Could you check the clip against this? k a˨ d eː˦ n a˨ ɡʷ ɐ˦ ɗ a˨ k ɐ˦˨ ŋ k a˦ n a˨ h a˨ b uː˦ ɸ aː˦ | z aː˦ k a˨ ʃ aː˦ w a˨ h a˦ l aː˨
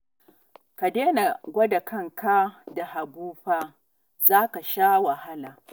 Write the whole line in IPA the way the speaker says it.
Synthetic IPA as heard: k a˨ d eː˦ n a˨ ɡʷ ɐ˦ d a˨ k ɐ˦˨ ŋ k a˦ d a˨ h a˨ b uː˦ ɸ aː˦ | z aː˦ k a˨ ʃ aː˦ w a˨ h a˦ l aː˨